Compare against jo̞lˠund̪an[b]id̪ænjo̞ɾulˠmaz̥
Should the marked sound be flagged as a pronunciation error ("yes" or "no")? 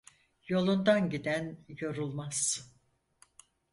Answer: yes